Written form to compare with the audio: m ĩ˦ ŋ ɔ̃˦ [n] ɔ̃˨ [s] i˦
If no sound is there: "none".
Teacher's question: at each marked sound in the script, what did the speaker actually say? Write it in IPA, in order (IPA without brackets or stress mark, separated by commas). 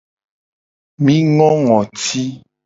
ŋ, t